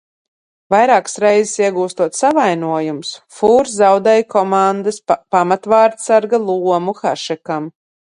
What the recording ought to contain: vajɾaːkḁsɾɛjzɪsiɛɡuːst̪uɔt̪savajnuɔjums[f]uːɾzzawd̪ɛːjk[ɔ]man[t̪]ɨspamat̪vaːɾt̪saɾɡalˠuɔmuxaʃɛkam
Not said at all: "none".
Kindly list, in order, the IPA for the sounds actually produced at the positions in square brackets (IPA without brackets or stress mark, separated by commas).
f, ɔ, d̪